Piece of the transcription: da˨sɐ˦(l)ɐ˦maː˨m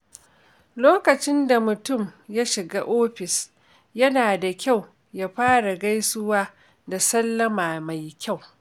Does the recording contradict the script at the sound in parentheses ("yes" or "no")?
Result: yes